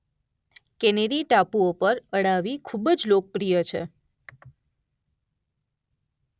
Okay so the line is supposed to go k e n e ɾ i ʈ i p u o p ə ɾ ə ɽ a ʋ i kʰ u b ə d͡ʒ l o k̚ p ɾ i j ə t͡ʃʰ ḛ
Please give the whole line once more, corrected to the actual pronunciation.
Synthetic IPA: k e n e ɾ i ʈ a p u o p ə ɾ ə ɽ a ʋ i kʰ u b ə d͡ʒ l o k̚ p ɾ i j ə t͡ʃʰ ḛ

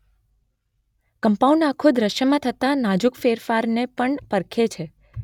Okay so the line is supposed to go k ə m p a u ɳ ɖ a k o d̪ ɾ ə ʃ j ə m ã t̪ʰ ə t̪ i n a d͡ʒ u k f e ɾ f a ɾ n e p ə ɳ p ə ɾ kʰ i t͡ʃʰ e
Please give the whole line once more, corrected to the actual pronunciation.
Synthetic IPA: k ə m p a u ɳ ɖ a kʰ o d̪ ɾ ə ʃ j ə m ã t̪ʰ ə t̪ a n a d͡ʒ u k f e ɾ f a ɾ n e p ə ɳ p ə ɾ kʰ e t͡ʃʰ e

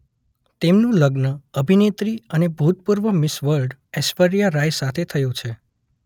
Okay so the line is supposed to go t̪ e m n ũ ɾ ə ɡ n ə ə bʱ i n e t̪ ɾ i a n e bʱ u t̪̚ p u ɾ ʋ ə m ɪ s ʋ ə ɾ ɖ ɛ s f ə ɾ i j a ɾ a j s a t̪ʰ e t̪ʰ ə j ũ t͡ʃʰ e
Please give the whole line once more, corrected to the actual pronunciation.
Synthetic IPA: t̪ e m n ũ l ə ɡ n ə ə bʱ i n e t̪ ɾ i ə n e bʱ u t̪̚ p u ɾ ʋ ə m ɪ s ʋ ə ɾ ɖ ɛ s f ə ɾ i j a ɾ a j s a t̪ʰ e t̪ʰ ə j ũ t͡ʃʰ e

